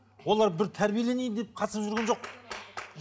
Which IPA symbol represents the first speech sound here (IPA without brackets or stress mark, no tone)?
w